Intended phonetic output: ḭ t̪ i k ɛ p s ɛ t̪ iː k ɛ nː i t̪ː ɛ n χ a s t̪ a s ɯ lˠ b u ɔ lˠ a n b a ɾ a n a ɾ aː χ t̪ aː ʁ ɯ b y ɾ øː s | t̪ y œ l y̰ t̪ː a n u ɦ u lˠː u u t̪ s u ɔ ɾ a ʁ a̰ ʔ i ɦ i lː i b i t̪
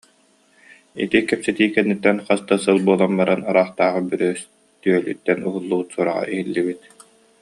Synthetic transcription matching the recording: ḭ t̪ i k ɛ p s ɛ t̪ iː k ɛ nː i t̪ː ɛ n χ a s t̪ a s ɯ lˠ b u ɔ lˠ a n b a ɾ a n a ɾ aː χ t̪ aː ʁ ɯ b y ɾ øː s | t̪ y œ l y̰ t̪ː ɛ n u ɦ u lˠː u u t̪ s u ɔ ɾ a ʁ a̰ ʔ i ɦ i lː i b i t̪

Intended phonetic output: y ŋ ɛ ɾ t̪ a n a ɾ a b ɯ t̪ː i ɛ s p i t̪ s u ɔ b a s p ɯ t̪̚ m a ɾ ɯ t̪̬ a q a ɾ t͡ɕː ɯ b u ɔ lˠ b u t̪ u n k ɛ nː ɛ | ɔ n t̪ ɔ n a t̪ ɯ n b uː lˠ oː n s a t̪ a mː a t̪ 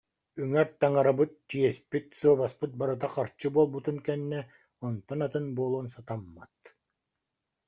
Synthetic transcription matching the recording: y ŋ ɛ ɾ t̪ a ŋ a ɾ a b ɯ t̪ː i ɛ s p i t̪ s u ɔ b a s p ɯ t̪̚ b a ɾ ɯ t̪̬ a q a ɾ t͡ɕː ɯ b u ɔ lˠ b u t̪ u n k ɛ nː ɛ | ɔ n t̪ ɔ n a t̪ ɯ n b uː lˠ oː n s a t̪ a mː a t̪

